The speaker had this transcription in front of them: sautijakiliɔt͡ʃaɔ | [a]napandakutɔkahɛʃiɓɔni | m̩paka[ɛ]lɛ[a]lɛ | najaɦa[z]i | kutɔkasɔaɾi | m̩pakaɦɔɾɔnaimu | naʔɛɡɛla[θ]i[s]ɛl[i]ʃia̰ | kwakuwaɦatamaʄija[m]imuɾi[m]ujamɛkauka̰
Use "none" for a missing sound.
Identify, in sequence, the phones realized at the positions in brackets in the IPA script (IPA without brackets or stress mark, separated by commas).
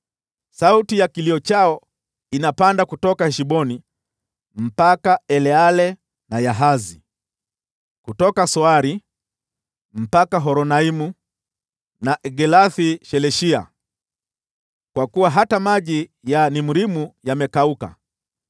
i, ɛ, a, z, θ, ʃ, ɛ, n, m